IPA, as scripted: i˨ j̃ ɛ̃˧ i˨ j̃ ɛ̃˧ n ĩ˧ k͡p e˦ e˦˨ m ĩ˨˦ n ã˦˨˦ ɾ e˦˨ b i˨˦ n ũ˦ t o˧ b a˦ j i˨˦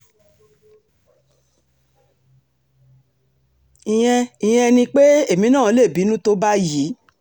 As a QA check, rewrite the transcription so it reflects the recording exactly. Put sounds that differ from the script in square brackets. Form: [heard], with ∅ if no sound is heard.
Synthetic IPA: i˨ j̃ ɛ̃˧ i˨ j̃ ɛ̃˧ n ĩ˧ k͡p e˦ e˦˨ m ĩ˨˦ n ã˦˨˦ [l] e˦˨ b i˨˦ n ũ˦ t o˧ b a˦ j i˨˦